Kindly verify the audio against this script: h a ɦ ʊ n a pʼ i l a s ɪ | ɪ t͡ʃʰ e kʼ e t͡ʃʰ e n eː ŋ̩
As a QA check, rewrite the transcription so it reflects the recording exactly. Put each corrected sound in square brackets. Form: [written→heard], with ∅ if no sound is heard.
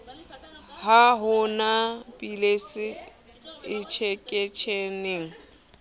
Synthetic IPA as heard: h a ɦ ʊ n a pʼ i l [a→e] s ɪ | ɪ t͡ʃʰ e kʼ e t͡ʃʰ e n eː ŋ̩